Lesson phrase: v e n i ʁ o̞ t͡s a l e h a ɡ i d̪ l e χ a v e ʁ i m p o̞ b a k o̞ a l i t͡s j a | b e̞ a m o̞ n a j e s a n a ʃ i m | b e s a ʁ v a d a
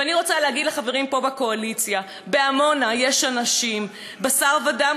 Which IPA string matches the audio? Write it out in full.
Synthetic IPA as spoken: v a n i ʁ o̞ t͡s a l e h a ɡ i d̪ l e χ a v e ʁ i m p o̞ b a k o̞ a l i t͡s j a | b e̞ a m o̞ n a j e ʃ a n a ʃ i m | b a s a ʁ v a d a